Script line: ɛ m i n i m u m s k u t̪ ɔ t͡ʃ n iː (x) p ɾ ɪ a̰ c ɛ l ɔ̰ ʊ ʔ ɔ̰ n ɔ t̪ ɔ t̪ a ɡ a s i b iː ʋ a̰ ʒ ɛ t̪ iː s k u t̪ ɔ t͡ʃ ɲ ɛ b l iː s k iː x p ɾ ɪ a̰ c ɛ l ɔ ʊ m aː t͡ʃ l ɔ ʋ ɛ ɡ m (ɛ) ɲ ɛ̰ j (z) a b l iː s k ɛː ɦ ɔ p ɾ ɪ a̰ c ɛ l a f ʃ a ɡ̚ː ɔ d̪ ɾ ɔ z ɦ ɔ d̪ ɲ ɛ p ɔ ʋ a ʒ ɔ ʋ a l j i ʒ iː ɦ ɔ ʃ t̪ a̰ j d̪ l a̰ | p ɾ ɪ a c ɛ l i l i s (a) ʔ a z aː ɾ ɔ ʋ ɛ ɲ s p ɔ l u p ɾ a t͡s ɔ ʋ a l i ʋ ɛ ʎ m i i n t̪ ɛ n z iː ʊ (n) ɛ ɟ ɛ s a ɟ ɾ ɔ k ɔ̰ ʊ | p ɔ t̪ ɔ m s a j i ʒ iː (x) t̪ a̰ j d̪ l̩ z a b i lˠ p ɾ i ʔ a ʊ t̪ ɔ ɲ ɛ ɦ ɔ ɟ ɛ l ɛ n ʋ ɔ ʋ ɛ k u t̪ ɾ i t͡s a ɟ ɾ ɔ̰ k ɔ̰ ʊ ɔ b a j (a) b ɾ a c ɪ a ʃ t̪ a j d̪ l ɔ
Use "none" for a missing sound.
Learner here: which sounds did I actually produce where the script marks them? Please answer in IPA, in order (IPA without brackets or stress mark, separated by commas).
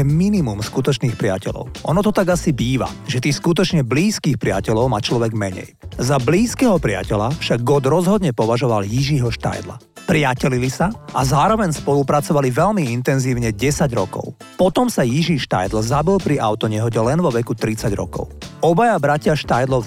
x, ɛ, z, a, ɲ, ʃ, a